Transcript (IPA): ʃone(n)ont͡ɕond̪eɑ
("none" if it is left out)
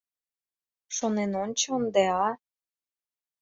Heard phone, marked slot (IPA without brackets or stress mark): n